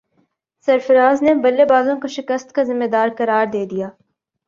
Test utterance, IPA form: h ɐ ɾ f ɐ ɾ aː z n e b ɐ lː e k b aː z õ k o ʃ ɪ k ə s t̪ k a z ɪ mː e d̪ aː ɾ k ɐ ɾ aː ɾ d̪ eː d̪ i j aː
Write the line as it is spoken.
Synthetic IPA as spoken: s ɐ ɾ f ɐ ɾ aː z n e b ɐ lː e b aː z õ k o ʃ ɪ k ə s t̪ k a z ɪ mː e d̪ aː ɾ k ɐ ɾ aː ɾ d̪ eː d̪ i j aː